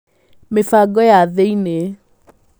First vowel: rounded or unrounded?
unrounded